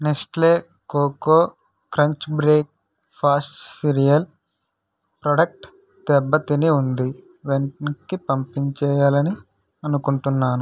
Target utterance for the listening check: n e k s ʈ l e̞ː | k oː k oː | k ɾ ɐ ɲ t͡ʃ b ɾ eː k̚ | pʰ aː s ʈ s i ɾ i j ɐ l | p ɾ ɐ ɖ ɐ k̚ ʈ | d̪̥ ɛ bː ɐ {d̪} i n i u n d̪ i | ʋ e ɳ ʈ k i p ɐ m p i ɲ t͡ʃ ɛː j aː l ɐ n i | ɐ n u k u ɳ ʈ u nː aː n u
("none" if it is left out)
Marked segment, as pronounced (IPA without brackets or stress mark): t̪